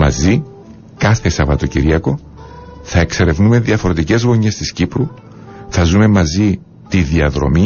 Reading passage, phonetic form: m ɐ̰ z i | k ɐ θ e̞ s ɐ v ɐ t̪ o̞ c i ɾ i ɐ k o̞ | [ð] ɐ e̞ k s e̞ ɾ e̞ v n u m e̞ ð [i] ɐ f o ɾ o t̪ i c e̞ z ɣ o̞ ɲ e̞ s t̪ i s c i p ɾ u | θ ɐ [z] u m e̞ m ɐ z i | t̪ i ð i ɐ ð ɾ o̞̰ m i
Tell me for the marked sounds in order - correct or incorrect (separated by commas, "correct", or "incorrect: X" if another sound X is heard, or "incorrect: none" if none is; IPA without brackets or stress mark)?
incorrect: θ, correct, correct